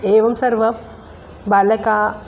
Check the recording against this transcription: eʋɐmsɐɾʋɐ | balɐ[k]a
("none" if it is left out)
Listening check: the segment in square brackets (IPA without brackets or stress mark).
k